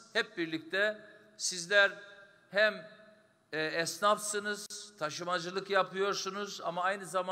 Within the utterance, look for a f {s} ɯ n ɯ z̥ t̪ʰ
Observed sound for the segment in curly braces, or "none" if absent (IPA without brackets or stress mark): s